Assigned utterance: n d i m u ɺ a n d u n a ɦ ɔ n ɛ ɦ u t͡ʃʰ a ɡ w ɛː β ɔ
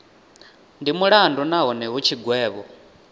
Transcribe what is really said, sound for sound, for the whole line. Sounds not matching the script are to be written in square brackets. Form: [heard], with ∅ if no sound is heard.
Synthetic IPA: n d i m u ɺ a n d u n a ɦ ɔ n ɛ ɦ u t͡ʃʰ [i] ɡ w ɛː β ɔ